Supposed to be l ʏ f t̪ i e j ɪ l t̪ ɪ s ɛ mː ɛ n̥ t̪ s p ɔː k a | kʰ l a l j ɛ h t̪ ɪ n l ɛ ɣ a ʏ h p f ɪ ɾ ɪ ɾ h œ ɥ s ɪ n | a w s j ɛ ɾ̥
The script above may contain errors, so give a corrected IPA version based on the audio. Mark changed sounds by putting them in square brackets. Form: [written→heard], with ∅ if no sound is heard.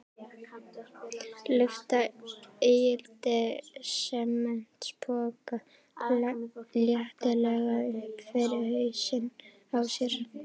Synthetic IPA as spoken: l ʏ f t̪ [i→a] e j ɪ l t̪ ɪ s ɛ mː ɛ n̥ t̪ s p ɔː k a | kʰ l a l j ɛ h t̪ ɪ [n→∅] l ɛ ɣ a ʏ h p f ɪ ɾ ɪ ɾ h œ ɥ s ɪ n | a w s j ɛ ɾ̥